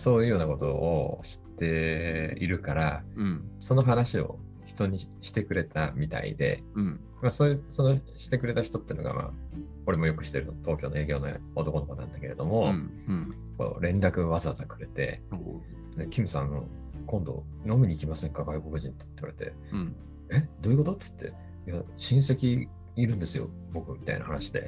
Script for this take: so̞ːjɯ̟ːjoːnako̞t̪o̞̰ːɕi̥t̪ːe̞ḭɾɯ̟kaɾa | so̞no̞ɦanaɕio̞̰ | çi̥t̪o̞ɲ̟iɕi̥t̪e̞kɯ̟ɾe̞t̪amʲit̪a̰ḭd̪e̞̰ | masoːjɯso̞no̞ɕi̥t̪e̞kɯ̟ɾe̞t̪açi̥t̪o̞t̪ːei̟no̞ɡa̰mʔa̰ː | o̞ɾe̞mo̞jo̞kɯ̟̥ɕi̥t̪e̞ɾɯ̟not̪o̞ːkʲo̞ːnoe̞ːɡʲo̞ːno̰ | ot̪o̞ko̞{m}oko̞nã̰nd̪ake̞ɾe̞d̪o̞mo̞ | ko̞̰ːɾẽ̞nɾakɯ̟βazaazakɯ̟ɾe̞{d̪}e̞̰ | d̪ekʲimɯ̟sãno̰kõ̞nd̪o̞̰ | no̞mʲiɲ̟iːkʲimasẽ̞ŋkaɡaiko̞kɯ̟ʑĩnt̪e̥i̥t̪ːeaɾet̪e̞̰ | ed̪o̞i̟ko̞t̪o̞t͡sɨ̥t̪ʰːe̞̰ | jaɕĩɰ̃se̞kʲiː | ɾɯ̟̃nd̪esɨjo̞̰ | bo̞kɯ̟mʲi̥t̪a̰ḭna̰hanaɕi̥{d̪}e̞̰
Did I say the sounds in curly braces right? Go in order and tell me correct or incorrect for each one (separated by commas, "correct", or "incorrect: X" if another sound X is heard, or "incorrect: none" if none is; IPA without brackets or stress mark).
incorrect: n, incorrect: t̪, correct